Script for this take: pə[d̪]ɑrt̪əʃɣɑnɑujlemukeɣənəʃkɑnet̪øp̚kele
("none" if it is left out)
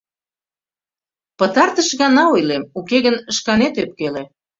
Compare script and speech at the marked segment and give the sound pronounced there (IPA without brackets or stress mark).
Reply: t̪